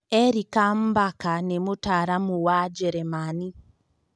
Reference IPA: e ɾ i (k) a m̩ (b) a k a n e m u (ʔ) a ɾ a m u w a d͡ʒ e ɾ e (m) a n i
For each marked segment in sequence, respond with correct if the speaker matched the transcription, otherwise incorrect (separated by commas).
correct, correct, incorrect, correct